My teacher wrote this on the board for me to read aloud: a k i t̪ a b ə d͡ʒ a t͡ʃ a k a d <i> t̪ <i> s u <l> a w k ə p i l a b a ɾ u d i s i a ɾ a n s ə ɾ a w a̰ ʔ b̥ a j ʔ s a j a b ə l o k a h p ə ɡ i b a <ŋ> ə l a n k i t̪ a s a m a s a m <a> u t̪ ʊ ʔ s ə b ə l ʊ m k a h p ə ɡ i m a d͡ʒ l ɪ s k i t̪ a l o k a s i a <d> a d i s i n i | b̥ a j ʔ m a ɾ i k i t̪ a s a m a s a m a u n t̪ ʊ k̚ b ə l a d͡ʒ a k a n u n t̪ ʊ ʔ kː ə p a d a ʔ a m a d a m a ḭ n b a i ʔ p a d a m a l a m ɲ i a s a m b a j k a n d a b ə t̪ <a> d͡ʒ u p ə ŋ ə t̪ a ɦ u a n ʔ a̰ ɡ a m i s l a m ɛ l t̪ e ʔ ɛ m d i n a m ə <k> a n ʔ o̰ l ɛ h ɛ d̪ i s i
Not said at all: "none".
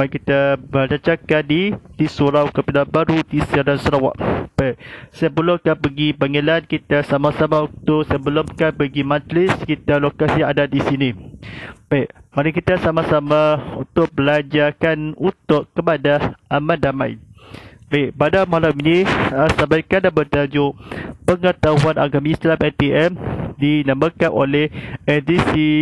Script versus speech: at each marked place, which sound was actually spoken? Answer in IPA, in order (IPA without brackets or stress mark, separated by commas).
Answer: i, i, ɾ, ŋ, a, d, a, k